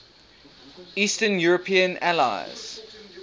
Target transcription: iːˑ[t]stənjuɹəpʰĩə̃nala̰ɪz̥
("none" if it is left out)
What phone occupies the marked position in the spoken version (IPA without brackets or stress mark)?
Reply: none